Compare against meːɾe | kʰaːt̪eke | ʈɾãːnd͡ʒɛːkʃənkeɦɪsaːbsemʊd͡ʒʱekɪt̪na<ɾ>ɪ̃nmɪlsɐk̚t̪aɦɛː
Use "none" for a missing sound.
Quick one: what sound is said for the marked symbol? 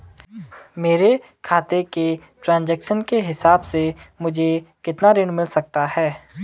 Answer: ɾ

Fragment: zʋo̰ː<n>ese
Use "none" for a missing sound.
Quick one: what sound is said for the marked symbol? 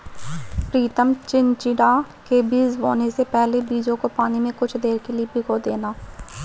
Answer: n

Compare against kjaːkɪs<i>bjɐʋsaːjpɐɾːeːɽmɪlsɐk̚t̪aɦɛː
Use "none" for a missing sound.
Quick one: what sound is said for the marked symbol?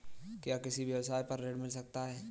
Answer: i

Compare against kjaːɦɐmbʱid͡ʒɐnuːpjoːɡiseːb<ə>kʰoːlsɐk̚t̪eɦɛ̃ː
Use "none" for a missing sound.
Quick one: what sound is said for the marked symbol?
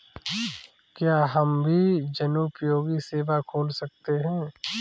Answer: a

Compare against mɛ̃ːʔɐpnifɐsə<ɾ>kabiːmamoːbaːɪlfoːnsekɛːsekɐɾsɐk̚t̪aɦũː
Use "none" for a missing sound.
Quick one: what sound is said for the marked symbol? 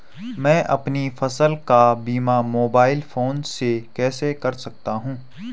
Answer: l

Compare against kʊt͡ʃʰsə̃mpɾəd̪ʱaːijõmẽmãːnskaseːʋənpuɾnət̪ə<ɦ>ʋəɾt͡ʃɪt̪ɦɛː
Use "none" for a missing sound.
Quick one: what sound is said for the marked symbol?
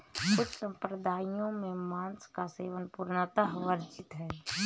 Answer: ɦ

